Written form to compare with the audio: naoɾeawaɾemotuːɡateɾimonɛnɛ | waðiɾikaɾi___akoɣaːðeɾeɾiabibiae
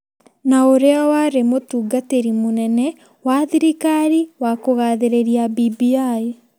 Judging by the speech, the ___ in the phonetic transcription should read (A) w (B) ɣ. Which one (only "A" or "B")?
A